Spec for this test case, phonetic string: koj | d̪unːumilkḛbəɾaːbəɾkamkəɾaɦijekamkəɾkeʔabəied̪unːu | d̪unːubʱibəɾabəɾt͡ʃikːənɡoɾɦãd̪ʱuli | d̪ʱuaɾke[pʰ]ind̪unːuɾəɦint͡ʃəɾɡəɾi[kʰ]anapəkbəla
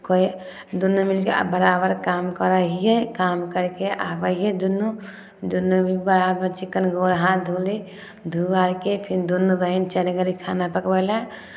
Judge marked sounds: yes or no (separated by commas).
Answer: yes, yes